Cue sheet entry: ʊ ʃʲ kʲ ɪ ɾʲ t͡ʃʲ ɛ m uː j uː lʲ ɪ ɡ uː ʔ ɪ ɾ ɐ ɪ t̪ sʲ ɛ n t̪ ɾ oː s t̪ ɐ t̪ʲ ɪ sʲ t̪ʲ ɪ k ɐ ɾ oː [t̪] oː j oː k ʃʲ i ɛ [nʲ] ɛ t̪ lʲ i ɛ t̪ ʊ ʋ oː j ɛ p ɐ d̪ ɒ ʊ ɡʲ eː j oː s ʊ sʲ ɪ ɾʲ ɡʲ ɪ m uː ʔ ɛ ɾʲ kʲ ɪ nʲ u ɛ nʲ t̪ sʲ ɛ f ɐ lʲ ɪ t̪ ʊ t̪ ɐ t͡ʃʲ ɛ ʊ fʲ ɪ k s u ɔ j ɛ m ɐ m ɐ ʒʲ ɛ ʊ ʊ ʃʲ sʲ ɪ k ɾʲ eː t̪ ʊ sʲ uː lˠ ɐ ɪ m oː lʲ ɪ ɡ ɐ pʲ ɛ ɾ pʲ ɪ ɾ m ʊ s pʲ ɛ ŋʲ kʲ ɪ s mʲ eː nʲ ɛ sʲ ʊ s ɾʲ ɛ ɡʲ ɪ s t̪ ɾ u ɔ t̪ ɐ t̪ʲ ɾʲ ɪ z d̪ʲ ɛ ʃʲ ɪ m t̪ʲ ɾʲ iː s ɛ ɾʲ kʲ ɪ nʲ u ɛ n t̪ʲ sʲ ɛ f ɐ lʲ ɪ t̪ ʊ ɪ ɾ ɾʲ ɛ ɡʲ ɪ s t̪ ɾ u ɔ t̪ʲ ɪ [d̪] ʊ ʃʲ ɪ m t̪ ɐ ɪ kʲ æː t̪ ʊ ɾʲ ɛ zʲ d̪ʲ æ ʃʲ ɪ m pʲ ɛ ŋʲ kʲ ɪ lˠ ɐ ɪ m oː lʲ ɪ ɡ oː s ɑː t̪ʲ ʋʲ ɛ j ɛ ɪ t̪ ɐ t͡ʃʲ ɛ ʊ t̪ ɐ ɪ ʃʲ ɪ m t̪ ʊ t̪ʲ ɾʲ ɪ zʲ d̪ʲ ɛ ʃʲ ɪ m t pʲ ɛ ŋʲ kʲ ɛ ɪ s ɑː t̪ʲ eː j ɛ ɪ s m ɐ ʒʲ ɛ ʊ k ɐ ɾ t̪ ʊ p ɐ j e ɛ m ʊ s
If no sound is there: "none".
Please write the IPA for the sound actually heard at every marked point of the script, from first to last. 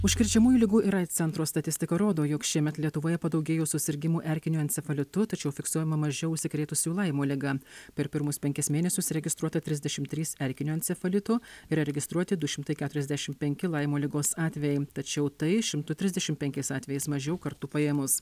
d̪, mʲ, d̪

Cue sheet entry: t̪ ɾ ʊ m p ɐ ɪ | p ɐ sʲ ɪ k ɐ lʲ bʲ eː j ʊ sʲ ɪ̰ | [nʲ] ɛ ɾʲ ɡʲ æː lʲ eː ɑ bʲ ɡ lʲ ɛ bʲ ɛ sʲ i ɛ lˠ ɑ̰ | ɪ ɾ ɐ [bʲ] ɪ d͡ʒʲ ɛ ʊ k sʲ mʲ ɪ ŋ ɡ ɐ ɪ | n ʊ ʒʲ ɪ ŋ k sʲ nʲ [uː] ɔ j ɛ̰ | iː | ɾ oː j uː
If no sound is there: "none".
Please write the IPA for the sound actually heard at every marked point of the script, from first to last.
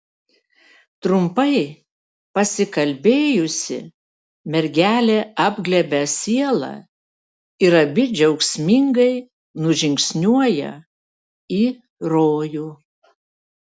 mʲ, bʲ, u

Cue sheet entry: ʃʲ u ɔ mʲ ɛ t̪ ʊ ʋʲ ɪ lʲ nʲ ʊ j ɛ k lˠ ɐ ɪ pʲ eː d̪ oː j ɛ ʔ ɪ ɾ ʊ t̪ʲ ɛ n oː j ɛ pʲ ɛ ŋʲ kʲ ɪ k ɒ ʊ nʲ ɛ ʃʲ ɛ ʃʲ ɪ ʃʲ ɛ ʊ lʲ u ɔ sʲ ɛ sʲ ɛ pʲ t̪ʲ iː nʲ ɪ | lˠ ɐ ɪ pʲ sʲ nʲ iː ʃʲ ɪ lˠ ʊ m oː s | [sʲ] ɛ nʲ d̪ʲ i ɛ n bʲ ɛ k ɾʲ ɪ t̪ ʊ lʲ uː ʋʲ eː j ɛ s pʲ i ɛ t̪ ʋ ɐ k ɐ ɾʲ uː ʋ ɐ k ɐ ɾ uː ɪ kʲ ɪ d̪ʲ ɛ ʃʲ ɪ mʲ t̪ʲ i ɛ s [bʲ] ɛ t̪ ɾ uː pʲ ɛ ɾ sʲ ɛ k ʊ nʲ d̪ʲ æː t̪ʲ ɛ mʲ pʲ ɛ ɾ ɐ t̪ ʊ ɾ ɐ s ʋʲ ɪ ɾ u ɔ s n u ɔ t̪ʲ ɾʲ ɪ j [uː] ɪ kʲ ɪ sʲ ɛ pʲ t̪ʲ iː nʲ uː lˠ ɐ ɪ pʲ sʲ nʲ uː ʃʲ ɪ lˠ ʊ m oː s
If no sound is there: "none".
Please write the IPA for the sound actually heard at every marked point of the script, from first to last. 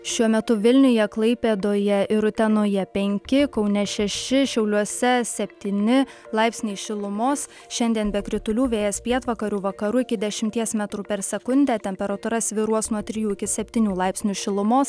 ʃʲ, mʲ, uː

